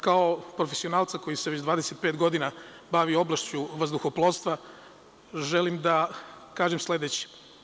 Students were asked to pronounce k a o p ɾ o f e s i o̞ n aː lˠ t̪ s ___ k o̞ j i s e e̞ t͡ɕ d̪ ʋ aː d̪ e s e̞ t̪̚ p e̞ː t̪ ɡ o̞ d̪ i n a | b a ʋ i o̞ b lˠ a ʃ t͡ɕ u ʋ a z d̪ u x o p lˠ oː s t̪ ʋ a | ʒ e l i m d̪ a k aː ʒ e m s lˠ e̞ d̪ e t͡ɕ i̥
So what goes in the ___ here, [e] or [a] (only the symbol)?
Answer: a